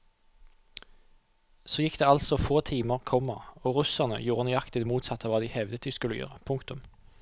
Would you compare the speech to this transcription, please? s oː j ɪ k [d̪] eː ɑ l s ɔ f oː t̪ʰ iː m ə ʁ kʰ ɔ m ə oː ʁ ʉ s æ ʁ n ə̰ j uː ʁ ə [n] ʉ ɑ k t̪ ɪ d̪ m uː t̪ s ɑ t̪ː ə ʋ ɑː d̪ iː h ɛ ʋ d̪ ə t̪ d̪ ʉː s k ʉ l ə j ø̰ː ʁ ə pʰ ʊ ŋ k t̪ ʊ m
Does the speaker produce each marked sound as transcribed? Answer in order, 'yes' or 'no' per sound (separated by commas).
yes, yes